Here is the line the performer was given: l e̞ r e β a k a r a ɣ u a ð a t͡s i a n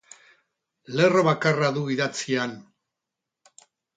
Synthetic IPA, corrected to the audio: l e̞ r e β a k a r a ð u i ð a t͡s i a n